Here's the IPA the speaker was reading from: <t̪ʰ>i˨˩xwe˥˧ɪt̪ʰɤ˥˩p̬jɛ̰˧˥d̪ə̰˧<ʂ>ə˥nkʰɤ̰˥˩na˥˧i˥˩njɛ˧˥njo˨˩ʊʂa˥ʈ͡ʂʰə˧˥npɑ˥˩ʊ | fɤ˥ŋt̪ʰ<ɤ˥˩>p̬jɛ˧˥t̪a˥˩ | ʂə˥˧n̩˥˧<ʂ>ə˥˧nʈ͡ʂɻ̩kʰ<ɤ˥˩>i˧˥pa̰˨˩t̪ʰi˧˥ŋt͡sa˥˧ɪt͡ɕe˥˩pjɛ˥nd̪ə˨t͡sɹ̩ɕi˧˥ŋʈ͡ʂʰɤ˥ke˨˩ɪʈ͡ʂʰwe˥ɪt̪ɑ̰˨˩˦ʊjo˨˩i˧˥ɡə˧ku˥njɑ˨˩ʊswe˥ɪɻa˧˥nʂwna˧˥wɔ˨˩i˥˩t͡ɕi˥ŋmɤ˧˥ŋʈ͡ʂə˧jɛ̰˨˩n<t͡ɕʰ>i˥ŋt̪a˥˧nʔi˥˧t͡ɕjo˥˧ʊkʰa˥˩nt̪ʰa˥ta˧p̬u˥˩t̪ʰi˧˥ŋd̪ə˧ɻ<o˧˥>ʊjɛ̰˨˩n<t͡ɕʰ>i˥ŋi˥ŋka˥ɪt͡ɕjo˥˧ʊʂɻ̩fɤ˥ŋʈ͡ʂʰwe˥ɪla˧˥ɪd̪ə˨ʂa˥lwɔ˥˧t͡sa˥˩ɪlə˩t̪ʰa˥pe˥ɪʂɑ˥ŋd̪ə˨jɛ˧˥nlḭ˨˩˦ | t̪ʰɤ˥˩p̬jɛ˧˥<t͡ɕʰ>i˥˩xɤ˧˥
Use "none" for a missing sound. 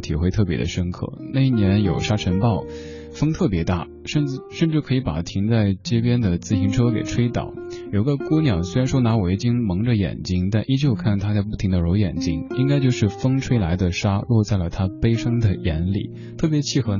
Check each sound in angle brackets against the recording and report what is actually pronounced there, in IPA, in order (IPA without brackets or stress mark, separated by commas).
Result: t̪ʰ, ʂ, ɤ˥˩, ʂ, ɤ˧˥, t͡ɕ, o˧˥, t͡ɕ, t͡ɕʰ